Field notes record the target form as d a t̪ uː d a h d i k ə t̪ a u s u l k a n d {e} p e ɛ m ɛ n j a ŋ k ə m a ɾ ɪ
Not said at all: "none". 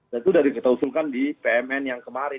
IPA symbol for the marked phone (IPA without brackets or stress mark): i